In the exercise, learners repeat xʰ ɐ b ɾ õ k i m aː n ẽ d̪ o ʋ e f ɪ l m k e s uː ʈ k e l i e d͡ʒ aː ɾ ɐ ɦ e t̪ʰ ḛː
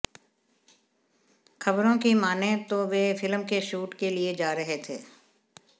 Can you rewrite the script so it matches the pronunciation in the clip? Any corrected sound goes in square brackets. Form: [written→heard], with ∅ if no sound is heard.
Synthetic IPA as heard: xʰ ɐ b ɾ õ k i m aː n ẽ [d̪→t̪] o ʋ e f ɪ l m k e [s→ʃ] uː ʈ k e l i e d͡ʒ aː ɾ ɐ ɦ e t̪ʰ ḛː

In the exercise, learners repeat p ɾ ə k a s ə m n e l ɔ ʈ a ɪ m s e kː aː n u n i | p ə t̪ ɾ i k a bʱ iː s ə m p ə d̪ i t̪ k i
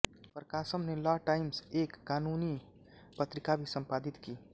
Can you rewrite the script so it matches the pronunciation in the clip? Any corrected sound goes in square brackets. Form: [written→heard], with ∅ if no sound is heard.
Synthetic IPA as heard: p ɾ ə k a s ə m n e l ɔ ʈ a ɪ m s e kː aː n u n i | p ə t̪ ɾ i k a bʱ [iː→i] s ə m p [ə→a] d̪ i t̪ k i

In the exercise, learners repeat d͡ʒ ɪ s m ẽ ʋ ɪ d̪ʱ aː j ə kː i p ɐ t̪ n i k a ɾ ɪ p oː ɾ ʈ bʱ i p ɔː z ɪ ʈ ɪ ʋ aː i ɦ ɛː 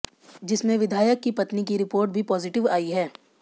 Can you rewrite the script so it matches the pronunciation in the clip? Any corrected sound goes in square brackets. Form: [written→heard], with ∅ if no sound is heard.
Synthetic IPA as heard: d͡ʒ ɪ s m ẽ ʋ ɪ d̪ʱ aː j ə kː i p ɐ t̪ n i k [a→i] ɾ ɪ p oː ɾ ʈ bʱ i p ɔː z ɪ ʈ ɪ ʋ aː i ɦ ɛː

